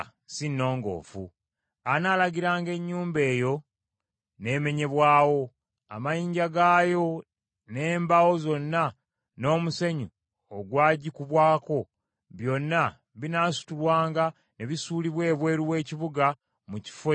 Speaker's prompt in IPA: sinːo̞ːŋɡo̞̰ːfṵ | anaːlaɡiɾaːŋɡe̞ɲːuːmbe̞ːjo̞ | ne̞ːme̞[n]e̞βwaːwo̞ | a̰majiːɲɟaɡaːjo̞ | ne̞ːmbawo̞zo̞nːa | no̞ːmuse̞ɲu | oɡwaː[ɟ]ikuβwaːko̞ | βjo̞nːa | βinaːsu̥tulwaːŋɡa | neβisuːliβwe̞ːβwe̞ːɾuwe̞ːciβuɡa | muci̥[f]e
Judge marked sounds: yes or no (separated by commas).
no, yes, yes